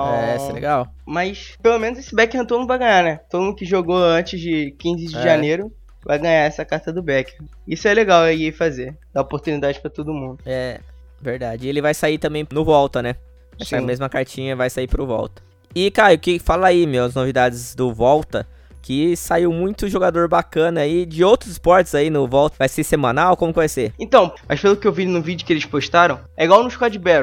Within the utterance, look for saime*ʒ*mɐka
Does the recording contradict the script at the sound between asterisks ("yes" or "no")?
yes